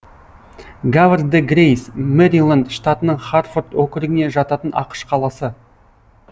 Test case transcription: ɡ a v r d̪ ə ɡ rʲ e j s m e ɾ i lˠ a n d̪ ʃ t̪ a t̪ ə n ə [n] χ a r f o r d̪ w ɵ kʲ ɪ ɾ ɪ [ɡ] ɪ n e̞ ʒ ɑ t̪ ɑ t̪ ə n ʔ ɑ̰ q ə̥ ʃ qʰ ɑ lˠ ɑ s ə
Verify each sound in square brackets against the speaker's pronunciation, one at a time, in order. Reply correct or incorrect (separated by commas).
incorrect, correct